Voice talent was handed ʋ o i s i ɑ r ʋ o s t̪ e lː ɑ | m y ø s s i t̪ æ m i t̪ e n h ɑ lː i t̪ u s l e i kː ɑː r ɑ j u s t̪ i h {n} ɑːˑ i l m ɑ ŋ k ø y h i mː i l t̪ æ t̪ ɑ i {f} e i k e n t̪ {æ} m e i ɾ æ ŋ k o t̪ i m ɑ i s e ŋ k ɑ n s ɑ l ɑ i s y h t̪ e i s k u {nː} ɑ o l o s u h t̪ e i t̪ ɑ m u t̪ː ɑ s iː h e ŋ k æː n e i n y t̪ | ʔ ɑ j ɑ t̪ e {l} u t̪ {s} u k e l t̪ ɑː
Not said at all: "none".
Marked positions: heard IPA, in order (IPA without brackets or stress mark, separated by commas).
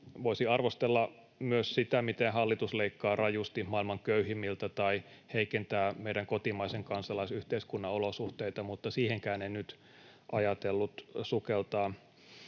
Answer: m, h, æː, nː, lː, s